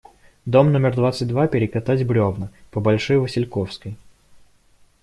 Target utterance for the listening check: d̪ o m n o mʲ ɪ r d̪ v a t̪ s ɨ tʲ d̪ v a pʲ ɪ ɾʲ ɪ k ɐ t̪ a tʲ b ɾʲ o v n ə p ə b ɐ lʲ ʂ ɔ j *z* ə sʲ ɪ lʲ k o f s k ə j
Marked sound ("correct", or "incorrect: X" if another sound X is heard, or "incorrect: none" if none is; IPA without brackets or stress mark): incorrect: v